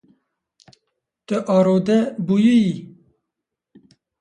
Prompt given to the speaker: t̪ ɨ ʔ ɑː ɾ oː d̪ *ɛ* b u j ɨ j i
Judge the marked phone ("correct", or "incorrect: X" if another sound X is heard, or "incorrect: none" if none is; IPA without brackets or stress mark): correct